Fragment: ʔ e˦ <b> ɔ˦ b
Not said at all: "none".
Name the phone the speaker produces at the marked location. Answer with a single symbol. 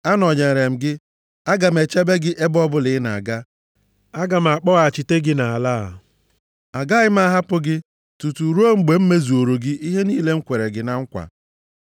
b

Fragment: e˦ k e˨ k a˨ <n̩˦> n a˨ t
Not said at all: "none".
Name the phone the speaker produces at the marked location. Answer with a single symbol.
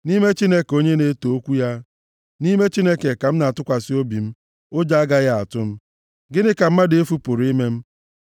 m̩˦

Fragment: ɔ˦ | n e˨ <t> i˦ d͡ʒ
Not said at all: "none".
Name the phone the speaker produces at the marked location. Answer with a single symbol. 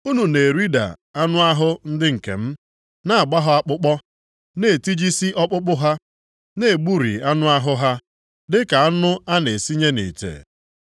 t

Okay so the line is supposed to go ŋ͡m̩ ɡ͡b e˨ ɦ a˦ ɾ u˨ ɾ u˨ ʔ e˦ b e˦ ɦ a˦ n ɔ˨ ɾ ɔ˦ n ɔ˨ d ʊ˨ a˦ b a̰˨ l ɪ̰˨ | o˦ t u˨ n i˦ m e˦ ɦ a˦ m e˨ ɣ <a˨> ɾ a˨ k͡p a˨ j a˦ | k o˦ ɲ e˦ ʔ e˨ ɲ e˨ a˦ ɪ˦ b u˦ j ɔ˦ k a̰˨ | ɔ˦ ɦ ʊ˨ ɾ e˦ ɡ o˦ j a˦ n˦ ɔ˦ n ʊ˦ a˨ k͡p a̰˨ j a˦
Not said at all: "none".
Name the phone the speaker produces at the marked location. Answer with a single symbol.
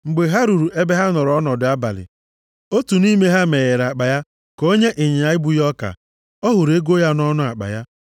e˨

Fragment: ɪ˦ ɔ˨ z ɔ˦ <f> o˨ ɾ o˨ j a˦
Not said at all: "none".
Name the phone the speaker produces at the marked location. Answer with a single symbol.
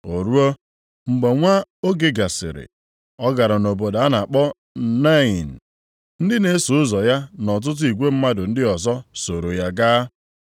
s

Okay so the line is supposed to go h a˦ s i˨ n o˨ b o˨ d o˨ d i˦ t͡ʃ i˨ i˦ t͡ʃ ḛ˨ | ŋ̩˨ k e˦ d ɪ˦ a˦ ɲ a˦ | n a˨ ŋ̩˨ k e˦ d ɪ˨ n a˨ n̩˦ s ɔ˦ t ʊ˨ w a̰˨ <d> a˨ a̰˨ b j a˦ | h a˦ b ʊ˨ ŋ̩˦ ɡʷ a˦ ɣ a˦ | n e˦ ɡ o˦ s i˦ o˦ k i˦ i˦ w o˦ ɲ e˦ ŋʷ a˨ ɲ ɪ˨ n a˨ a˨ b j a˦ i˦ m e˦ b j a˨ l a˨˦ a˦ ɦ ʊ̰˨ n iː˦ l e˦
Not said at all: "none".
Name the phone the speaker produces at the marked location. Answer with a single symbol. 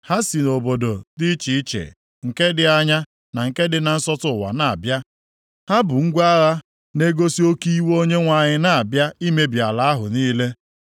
n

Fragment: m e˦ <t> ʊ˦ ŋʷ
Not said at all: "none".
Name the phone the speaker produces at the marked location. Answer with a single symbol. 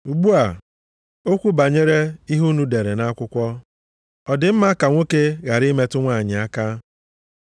t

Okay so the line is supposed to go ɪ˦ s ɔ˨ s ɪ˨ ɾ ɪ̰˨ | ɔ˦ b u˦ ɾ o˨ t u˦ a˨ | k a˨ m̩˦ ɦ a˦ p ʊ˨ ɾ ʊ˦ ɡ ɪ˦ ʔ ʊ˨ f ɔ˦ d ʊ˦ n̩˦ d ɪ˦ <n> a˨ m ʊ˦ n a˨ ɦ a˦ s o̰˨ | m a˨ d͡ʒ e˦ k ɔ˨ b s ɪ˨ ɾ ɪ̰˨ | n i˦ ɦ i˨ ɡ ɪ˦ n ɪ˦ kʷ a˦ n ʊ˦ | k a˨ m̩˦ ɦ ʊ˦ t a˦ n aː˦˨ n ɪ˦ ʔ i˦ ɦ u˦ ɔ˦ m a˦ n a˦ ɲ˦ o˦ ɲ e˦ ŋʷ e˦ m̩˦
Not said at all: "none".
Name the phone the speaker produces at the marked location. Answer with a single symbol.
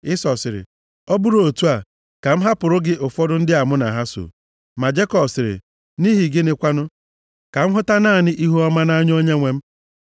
none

